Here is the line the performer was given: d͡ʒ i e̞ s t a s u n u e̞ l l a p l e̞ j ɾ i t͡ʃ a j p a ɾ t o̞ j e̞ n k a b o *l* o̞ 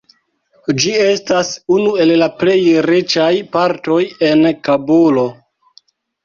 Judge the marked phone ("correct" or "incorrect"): correct